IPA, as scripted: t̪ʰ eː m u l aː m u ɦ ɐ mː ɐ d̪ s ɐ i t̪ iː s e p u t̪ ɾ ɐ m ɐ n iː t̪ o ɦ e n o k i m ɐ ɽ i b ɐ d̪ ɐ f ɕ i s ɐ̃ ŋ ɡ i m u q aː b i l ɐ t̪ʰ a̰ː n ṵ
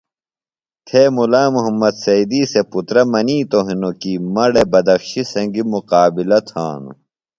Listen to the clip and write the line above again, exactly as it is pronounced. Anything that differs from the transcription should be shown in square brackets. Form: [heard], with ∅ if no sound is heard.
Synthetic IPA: t̪ʰ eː m u l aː m u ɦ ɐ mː ɐ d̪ s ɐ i [d̪] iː s e p u t̪ ɾ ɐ m ɐ n iː t̪ o ɦ [i] n o k i m ɐ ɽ [e] b ɐ d̪ ɐ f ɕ i s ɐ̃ ŋ ɡ i m u q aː b i l ɐ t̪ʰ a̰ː n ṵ

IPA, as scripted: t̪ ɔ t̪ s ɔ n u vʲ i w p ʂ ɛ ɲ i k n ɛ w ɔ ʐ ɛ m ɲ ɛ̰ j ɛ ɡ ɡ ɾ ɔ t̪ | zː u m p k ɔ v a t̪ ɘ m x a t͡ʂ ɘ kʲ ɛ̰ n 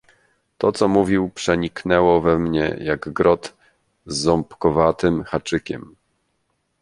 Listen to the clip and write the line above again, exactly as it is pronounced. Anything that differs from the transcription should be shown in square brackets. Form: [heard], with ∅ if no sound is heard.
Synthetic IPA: t̪ ɔ t̪ s ɔ [m] u vʲ i w p ʂ ɛ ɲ i k n ɛ w ɔ [v] ɛ m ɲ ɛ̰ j [a] ɡ ɡ ɾ ɔ t̪ | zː [ɔ] m p k ɔ v a t̪ ɘ m x a t͡ʂ ɘ kʲ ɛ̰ [m]

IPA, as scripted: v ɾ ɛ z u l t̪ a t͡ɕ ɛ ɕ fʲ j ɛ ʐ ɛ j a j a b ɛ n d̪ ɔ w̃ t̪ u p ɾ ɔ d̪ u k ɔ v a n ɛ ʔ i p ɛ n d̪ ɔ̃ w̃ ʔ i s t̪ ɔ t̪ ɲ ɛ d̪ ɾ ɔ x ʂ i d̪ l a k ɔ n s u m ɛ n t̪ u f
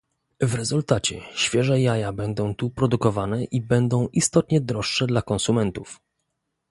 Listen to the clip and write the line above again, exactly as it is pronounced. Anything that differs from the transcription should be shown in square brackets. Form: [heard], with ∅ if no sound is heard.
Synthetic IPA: v ɾ ɛ z u l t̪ a t͡ɕ ɛ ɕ fʲ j ɛ ʐ ɛ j a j a b ɛ n d̪ [ɔ̃] w̃ t̪ u p ɾ ɔ d̪ u k ɔ v a n ɛ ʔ i [b] ɛ n d̪ ɔ̃ w̃ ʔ i s t̪ ɔ t̪ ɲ ɛ d̪ ɾ ɔ [ʂ] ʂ [ɛ] d̪ l a k ɔ n s u m ɛ n t̪ u f

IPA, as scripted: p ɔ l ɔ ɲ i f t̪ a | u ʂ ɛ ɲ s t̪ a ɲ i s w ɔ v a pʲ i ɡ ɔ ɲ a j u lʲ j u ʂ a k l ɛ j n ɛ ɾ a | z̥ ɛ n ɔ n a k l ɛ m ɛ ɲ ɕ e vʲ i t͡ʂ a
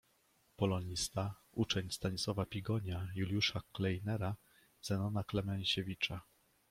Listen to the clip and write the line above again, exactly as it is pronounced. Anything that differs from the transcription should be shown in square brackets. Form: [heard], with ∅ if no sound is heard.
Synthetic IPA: p ɔ l ɔ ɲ i [s] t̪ a | u [t͡ʂ] ɛ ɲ s t̪ a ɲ i s w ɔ v a pʲ i ɡ ɔ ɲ a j u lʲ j u ʂ a k l ɛ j n ɛ ɾ a | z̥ ɛ n ɔ n a k l ɛ m ɛ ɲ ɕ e vʲ i t͡ʂ a

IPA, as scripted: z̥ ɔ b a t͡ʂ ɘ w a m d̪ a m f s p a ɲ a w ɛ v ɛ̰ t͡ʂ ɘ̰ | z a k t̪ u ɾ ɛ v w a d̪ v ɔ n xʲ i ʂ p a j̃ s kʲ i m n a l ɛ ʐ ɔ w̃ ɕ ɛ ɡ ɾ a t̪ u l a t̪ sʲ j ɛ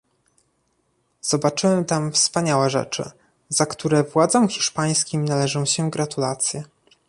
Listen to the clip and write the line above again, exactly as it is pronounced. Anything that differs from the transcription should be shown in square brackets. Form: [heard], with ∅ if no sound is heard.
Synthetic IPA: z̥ ɔ b a t͡ʂ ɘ w [ɛ] m [t̪] a m f s p a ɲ a w ɛ [ʐ] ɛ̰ t͡ʂ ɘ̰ | z a k t̪ u ɾ ɛ v w a d̪ [z] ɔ [m] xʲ i ʂ p a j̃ s kʲ i m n a l ɛ ʐ [ɔ̃] w̃ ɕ ɛ ɡ ɾ a t̪ u l a t̪ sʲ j ɛ

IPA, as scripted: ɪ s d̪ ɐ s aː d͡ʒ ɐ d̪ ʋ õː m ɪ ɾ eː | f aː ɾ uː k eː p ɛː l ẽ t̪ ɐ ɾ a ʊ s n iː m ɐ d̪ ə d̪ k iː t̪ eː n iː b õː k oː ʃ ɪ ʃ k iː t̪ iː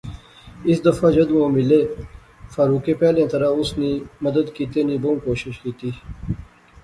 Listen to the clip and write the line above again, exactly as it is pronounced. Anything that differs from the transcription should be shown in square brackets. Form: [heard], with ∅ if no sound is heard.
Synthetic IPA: ɪ s d̪ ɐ [f] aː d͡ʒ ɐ d̪ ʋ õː m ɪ [l] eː | f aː ɾ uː k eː p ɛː l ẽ t̪ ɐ ɾ a ʊ s n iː m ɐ d̪ ə d̪ k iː t̪ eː n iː b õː k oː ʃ ɪ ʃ k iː t̪ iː

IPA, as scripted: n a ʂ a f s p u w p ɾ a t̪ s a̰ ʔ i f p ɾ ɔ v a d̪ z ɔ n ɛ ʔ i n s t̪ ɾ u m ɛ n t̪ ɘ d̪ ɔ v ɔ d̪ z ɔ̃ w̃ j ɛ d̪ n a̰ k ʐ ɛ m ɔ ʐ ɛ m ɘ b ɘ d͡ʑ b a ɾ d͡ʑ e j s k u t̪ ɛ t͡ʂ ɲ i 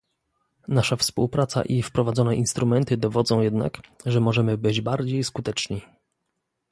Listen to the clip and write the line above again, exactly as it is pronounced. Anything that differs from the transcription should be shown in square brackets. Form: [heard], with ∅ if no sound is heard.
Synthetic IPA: n a ʂ a f s p u w p ɾ a t̪ s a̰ ʔ i f p ɾ ɔ v a d̪ z ɔ n ɛ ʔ i n s t̪ ɾ u m ɛ n t̪ ɘ d̪ ɔ v ɔ d̪ z ɔ̃ w̃ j ɛ d̪ n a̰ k ʐ ɛ m ɔ ʐ ɛ m ɘ b ɘ d͡ʑ b a ɾ d͡ʑ e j s k u t̪ ɛ t͡ʂ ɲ i

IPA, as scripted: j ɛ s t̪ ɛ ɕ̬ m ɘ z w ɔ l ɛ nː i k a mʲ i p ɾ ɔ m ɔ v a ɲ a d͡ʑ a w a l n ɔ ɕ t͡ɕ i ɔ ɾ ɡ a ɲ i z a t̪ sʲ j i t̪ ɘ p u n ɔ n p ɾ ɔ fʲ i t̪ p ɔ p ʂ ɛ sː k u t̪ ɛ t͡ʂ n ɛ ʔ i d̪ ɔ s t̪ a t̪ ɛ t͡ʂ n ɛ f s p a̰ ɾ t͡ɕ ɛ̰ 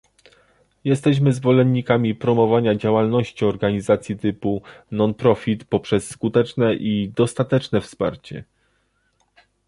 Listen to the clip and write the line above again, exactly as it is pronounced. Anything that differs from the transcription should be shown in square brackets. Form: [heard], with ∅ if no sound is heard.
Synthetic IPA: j ɛ s t̪ ɛ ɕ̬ m ɘ z [v] ɔ l ɛ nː i k a mʲ i p ɾ ɔ m ɔ v a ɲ a d͡ʑ a w a l n ɔ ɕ t͡ɕ i ɔ ɾ ɡ a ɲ i z a t̪ sʲ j i t̪ ɘ p u n ɔ n p ɾ ɔ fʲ i t̪ p ɔ p ʂ ɛ sː k u t̪ ɛ t͡ʂ n ɛ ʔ i d̪ ɔ s t̪ a t̪ ɛ t͡ʂ n ɛ f s p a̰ ɾ t͡ɕ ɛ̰

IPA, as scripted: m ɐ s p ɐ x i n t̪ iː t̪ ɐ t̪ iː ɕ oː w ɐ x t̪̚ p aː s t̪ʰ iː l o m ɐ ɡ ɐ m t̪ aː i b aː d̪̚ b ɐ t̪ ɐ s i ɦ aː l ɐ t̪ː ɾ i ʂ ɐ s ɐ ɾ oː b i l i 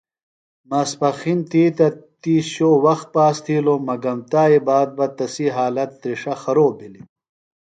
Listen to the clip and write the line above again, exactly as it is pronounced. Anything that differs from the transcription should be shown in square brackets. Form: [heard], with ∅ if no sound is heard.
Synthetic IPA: m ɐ s p ɐ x i n t̪ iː t̪ ɐ t̪ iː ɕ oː w ɐ x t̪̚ p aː s t̪ʰ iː l o m ɐ ɡ ɐ m t̪ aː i b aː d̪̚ b ɐ t̪ ɐ s i ɦ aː l ɐ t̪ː ɾ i ʂ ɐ [x] ɐ ɾ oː b i l i

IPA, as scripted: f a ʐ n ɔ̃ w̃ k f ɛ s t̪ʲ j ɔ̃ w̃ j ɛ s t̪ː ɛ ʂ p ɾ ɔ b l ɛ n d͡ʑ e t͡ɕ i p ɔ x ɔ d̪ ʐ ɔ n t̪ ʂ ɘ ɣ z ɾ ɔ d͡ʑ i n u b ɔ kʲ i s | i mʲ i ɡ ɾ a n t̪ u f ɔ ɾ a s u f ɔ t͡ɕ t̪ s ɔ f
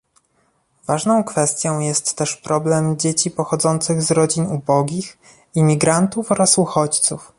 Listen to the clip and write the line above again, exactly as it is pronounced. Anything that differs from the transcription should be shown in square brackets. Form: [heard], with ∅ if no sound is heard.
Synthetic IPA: [v] a ʐ n ɔ̃ w̃ k f ɛ s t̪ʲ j ɔ̃ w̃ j ɛ s t̪ː ɛ ʂ p ɾ ɔ b l ɛ [m] d͡ʑ e t͡ɕ i p ɔ x ɔ d̪ [z] ɔ n t̪ [s] ɘ ɣ z ɾ ɔ d͡ʑ i n u b ɔ [ɡʲ] i [x] | i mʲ i ɡ ɾ a n t̪ u f ɔ ɾ a s u [x] ɔ t͡ɕ t̪ s [u] f

